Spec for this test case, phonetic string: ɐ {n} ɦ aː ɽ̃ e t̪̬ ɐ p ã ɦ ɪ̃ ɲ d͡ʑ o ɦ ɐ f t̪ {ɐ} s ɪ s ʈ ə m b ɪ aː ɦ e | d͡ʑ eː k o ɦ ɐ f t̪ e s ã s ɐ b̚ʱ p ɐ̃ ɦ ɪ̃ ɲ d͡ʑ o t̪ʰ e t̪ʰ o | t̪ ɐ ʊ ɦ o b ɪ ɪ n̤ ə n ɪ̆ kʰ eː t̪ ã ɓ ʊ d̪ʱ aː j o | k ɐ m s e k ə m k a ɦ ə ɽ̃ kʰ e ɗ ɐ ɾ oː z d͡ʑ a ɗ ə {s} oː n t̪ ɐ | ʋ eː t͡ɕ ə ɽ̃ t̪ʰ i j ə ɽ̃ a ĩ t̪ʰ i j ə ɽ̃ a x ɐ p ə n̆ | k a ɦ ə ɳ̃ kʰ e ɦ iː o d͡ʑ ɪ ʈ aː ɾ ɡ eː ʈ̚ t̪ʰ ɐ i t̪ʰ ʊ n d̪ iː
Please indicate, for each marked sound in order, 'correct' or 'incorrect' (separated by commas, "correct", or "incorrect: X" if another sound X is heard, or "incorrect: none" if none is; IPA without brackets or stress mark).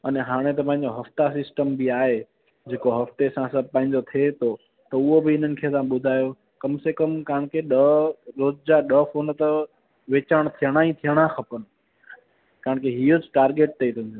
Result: correct, incorrect: a, incorrect: f